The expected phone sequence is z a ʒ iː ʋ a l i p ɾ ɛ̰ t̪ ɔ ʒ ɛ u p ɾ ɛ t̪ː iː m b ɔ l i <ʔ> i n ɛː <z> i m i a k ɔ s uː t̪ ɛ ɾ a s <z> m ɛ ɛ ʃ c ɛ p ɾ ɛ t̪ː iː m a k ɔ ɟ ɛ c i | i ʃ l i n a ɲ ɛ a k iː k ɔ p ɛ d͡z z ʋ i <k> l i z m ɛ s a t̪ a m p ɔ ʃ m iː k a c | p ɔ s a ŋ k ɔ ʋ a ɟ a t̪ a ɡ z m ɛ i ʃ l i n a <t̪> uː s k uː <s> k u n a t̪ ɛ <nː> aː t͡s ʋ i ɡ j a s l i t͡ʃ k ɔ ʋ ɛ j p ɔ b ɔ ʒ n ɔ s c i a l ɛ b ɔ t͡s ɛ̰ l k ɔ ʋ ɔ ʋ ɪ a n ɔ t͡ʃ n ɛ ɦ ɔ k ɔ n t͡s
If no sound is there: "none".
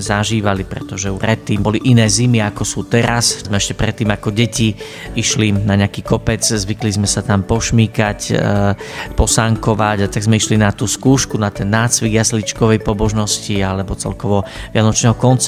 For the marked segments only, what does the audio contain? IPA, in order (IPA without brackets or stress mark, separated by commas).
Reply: ʔ, z, z, k, t̪, ʃ, nː